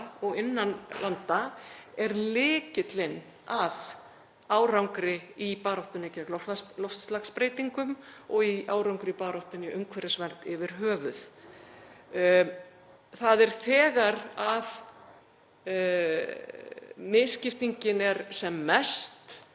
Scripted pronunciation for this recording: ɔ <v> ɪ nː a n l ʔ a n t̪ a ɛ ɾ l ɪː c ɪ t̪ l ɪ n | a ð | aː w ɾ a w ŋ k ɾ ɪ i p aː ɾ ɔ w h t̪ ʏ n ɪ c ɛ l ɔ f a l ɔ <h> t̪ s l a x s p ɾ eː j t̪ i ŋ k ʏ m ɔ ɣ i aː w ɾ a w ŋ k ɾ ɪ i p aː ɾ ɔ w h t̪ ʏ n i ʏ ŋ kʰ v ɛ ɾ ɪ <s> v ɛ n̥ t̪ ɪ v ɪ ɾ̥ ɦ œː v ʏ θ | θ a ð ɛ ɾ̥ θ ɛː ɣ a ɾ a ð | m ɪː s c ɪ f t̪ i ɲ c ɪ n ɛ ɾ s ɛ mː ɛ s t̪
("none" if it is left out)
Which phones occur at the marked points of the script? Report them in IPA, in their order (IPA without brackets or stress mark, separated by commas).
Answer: ɣ, f, s